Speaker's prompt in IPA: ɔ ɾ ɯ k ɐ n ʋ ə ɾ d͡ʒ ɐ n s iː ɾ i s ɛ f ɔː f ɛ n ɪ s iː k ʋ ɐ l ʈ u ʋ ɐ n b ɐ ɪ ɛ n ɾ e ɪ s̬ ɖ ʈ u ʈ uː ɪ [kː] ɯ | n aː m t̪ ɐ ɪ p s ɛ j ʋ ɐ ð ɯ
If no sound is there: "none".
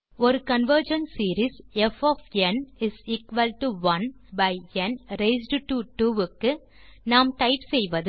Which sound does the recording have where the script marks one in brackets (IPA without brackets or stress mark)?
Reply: kː